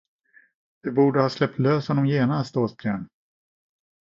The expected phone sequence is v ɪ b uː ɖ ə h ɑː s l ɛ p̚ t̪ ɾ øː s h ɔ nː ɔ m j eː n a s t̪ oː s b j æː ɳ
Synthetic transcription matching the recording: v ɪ b uː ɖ ə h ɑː s l ɛ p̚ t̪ l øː s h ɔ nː ɔ m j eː n a s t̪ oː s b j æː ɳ